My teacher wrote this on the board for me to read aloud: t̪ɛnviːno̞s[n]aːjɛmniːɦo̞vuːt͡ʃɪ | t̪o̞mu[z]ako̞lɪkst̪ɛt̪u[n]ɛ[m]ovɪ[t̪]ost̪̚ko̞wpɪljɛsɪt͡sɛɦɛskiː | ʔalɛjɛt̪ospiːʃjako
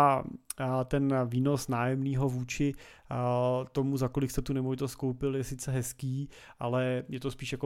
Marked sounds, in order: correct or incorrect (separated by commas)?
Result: correct, correct, correct, correct, correct